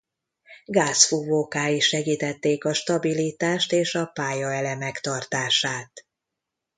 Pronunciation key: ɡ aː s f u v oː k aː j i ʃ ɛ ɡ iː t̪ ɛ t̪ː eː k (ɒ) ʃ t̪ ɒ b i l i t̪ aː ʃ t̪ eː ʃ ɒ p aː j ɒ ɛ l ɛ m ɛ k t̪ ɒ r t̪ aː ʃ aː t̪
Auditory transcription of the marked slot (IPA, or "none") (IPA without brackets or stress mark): ɒ